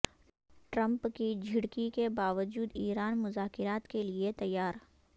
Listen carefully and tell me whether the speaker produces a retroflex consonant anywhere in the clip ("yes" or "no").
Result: yes